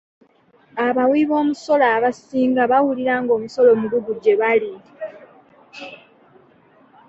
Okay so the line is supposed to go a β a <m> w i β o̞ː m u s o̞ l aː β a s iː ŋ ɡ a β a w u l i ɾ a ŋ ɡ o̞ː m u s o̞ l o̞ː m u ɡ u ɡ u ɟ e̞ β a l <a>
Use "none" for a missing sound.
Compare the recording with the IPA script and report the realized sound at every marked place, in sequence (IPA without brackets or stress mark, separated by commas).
none, i